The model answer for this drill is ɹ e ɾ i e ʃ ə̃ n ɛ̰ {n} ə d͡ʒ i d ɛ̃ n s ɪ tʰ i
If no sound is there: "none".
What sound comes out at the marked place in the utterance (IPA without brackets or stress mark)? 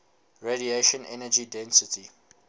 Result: n